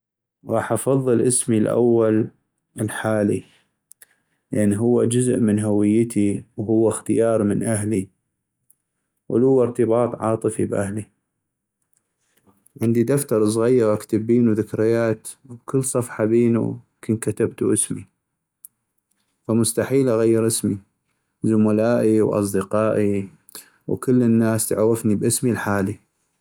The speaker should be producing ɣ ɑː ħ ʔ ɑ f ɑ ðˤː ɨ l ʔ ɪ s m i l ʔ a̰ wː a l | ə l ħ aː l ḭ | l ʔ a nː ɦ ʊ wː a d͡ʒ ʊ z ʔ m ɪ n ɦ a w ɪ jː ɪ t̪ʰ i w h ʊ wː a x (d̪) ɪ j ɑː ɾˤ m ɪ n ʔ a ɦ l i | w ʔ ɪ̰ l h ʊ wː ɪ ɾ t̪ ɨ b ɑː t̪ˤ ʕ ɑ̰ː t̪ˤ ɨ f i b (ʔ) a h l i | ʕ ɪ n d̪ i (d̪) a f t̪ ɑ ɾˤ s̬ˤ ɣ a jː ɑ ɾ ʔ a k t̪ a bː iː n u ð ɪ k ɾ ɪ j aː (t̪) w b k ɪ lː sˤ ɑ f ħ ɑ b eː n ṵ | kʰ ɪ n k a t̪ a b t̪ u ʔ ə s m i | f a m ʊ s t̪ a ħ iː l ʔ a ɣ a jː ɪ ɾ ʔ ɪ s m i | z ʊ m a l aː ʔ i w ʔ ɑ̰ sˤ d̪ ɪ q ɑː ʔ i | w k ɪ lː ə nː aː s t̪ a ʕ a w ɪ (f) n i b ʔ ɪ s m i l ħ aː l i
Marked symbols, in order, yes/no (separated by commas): no, yes, yes, yes, yes